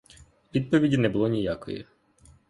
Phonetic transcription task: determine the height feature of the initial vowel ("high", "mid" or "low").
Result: high